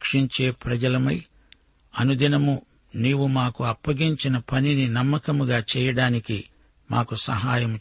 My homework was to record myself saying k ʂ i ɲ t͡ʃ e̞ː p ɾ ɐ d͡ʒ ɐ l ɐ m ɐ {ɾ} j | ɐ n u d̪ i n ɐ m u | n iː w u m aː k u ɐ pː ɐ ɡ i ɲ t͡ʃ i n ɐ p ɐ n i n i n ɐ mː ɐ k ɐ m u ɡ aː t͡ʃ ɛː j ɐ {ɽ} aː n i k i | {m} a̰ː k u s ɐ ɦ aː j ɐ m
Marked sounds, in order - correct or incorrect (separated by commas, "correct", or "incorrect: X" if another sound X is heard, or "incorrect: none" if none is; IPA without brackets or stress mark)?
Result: incorrect: none, correct, correct